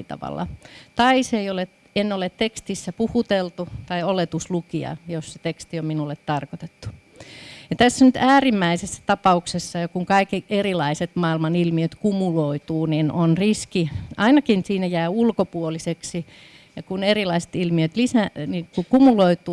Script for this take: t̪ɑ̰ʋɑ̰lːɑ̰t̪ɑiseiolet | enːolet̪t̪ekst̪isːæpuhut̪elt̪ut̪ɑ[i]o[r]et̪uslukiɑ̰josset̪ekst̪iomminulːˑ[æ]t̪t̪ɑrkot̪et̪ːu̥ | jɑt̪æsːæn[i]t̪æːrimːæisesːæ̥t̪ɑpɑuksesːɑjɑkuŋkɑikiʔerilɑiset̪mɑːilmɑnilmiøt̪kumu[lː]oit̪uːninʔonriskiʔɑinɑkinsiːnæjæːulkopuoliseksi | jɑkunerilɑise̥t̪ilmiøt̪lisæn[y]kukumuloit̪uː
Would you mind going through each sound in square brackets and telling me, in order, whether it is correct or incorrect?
correct, incorrect, incorrect, incorrect, incorrect, incorrect

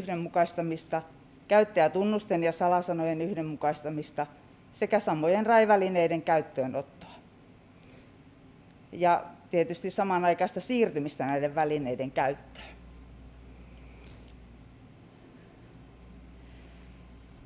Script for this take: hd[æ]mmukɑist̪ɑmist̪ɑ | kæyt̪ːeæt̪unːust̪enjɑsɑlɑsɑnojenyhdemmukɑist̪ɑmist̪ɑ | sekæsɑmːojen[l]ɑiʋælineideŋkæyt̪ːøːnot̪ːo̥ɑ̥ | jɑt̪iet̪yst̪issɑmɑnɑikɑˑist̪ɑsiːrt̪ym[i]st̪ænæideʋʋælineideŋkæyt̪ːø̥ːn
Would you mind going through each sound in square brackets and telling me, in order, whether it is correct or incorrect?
incorrect, incorrect, correct

